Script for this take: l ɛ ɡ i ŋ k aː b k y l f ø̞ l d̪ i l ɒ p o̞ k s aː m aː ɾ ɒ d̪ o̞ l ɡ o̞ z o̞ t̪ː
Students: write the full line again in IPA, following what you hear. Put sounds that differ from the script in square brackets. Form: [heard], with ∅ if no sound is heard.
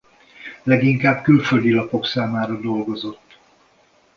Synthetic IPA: l ɛ ɡ i ŋ k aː b k y l f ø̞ l d̪ i l ɒ p o̞ k s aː m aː ɾ ɒ d̪ o̞ l ɡ o̞ z o̞ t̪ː